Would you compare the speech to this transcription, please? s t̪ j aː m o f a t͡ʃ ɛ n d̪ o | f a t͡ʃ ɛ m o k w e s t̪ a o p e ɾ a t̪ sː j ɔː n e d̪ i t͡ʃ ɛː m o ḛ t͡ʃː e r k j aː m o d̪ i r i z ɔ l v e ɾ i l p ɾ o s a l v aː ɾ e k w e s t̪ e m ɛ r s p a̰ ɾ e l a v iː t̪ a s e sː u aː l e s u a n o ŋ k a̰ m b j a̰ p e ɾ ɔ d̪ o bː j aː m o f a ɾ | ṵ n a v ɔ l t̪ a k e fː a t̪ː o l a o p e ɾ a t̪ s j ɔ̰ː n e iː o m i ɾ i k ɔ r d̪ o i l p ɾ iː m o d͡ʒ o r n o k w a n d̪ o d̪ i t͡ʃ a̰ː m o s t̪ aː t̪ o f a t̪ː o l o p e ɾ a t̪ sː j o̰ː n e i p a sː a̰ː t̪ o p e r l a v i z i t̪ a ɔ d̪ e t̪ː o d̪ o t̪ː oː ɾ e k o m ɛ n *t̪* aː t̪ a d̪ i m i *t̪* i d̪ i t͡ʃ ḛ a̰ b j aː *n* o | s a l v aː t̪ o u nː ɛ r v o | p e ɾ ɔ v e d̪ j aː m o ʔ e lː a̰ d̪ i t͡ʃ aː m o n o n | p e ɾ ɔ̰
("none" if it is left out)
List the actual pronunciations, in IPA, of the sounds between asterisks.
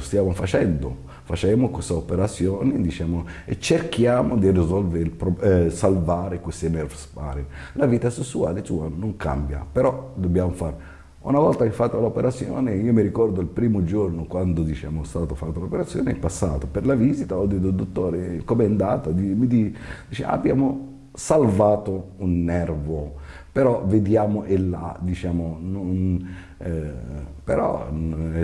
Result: d̪, d̪, m

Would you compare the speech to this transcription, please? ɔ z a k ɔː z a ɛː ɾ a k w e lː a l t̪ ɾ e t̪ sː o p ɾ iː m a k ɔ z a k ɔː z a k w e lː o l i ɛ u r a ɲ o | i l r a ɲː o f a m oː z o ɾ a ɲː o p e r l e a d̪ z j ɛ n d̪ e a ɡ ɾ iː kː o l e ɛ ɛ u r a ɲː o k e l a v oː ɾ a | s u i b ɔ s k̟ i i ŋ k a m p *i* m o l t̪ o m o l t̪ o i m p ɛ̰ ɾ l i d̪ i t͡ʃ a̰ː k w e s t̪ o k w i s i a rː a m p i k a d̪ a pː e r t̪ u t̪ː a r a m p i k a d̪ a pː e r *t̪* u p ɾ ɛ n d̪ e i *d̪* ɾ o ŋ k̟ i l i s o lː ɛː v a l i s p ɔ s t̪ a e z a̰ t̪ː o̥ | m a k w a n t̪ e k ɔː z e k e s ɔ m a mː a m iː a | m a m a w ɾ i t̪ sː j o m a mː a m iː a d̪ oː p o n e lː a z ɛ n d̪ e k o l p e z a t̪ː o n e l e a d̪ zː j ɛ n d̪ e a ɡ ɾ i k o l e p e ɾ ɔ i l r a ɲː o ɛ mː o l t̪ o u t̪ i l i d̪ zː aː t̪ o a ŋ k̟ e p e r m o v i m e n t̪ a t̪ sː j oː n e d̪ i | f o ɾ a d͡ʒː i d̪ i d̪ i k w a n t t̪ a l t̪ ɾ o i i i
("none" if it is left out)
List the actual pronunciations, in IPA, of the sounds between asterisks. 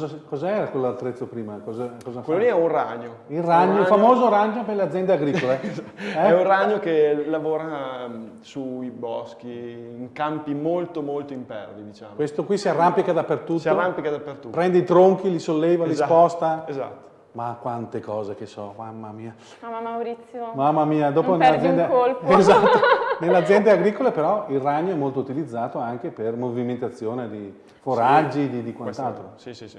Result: i, t̪, t̪

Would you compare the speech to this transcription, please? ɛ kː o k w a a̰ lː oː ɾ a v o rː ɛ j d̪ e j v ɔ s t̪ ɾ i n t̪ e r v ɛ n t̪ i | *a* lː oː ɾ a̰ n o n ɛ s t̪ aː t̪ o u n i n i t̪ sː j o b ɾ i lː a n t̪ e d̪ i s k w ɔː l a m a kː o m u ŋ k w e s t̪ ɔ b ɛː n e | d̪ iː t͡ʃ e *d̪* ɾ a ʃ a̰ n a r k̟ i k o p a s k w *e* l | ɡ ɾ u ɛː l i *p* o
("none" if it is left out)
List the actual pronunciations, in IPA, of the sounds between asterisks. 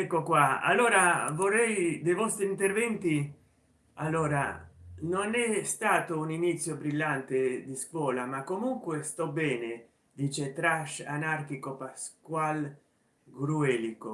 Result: a, t̪, a, k

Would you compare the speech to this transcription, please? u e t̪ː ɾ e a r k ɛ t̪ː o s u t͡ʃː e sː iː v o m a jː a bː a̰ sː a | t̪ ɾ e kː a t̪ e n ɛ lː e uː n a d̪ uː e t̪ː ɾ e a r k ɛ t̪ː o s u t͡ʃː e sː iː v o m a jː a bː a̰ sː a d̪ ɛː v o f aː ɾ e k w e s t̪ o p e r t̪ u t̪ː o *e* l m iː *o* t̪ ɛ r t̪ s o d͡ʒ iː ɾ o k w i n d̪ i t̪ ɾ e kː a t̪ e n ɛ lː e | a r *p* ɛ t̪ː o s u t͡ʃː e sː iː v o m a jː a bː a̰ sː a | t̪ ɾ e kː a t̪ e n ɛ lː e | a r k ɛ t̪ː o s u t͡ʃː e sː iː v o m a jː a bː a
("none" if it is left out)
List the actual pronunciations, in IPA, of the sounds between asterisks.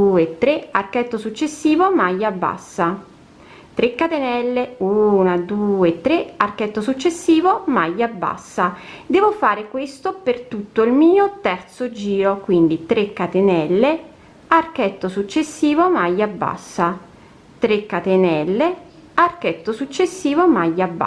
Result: i, o, k

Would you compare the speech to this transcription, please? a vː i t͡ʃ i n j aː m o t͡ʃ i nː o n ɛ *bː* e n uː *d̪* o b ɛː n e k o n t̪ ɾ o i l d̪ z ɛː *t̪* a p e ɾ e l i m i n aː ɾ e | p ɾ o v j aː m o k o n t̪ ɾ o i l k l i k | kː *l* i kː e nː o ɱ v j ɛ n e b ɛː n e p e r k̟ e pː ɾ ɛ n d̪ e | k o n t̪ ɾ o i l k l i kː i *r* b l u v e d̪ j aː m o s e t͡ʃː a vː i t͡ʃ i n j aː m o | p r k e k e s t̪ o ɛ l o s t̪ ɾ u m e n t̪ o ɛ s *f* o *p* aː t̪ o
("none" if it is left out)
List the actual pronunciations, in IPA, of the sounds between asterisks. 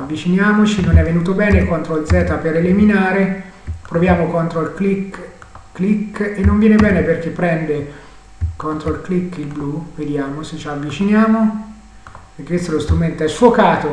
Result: vː, t̪, t̪, l, l, f, k

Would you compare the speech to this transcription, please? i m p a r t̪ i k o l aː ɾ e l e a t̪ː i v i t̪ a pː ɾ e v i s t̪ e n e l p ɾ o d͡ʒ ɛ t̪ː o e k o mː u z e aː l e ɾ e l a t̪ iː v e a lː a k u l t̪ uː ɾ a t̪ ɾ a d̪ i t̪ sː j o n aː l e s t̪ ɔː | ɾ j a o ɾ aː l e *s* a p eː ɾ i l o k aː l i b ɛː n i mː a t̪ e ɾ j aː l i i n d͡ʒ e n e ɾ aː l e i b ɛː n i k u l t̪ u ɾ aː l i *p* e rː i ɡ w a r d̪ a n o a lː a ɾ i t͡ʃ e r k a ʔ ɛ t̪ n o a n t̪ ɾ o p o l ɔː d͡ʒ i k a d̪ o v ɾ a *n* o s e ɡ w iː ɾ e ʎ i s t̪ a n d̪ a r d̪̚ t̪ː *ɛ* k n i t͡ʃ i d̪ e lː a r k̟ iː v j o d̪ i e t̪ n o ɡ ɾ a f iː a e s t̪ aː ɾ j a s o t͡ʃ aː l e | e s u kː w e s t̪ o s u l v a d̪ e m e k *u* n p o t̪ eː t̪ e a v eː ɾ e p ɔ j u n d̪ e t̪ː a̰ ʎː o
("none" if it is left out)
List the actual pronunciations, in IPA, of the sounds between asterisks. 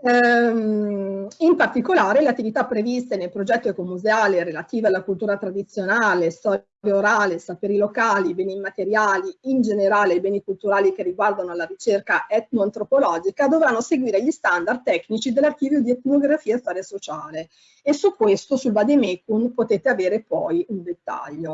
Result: s, k, nː, ɛ, u

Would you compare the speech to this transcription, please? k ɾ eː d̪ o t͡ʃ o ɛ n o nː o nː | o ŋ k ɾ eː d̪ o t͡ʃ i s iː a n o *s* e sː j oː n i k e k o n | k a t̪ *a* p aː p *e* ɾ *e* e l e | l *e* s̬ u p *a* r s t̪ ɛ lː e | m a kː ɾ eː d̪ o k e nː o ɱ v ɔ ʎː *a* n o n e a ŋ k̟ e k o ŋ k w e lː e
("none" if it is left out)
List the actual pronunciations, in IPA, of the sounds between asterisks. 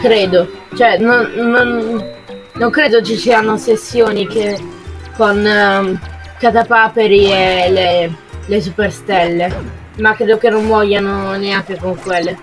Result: s, a, e, i, e, e, a

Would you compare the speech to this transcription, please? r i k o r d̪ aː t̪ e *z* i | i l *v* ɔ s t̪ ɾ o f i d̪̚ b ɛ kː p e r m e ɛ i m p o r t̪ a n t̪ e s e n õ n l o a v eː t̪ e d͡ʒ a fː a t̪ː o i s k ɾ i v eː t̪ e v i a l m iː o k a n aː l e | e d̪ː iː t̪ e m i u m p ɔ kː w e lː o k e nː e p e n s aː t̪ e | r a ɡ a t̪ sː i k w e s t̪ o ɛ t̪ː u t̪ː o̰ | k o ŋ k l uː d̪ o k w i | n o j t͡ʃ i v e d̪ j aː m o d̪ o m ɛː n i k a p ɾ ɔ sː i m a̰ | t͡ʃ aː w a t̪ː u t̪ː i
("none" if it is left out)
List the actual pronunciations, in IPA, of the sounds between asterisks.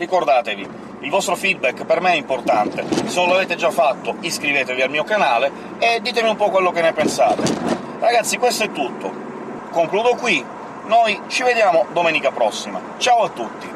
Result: v, v

